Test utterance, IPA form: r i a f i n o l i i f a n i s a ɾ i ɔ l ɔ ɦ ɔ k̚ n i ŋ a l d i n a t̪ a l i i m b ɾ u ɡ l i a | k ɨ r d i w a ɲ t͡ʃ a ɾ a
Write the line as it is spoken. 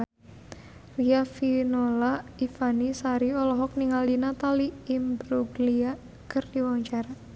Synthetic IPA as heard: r i a f i n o l a i f a n i s a ɾ i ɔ l ɔ ɦ ɔ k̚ n i ŋ a l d i n a t̪ a l i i m b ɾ u ɡ l i a | k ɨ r d i w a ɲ t͡ʃ a ɾ a